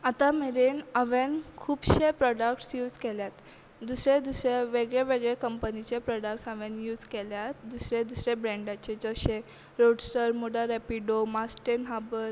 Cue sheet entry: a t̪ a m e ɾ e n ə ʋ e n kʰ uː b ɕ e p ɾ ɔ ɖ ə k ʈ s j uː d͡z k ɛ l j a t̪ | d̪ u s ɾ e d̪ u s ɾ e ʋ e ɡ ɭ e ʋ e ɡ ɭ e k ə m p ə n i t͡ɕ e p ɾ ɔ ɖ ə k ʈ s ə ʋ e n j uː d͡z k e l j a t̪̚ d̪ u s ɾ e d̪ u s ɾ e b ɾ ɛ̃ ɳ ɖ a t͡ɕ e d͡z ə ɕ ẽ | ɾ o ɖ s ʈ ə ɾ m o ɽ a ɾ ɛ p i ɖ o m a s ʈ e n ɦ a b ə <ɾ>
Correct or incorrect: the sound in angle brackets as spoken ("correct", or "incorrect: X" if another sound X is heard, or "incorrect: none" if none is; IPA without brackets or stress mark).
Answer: correct